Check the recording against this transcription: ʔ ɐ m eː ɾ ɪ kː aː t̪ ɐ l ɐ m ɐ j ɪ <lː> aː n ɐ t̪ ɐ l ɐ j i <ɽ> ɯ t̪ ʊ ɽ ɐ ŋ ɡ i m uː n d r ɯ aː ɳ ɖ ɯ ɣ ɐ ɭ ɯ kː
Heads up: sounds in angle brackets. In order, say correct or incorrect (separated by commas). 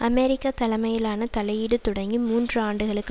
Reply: incorrect, correct